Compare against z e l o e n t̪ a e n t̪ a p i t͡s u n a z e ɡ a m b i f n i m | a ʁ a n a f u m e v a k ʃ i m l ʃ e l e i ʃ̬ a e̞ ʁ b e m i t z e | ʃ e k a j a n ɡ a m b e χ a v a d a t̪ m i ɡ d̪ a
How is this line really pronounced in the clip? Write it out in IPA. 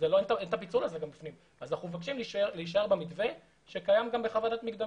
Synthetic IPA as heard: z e l o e n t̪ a e n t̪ a p i t͡s u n a z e ɡ a m b i f n i m | a z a n a χ u m e v a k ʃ i m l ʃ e l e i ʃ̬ a e̞ ʁ b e m i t v e | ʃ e k a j a m ɡ a m b e χ a v a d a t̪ m i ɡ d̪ a